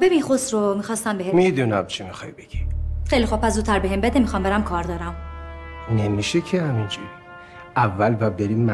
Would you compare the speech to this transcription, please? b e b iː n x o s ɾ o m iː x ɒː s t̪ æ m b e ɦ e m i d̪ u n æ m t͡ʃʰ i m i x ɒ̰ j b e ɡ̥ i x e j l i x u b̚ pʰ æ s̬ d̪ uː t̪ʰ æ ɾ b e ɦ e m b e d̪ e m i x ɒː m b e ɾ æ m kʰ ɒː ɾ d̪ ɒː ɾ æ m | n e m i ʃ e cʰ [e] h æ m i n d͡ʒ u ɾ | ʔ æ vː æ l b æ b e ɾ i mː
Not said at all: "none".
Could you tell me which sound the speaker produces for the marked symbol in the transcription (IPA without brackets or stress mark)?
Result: e